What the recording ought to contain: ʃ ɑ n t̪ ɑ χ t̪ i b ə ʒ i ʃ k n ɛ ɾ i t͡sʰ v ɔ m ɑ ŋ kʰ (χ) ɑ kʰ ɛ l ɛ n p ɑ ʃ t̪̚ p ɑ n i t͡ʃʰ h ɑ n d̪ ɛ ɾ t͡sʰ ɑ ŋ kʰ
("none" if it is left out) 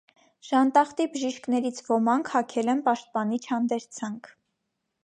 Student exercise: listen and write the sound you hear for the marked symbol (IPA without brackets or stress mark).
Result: h